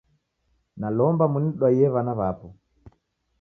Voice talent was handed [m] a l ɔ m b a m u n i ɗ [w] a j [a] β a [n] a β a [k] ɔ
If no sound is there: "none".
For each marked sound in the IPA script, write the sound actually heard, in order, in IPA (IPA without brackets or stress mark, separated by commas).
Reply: n, w, ɛ, n, p